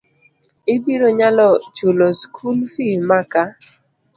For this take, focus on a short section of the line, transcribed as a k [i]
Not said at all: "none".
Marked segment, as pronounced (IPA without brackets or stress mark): a